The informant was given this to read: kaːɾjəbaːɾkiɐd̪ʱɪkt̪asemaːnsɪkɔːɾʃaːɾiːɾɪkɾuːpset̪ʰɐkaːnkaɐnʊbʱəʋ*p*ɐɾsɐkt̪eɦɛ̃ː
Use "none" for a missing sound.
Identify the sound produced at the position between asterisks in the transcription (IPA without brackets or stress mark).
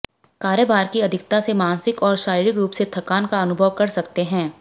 k